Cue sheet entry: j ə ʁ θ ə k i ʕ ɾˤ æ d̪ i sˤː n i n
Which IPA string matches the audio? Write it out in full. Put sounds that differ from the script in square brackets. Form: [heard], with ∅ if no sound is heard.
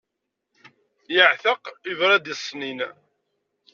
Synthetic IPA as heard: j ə [ʕ] θ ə [q] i [v] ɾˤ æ d̪ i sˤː n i n